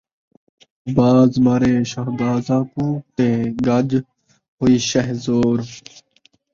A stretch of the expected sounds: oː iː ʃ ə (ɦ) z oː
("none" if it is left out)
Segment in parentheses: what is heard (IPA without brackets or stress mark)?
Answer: ɦ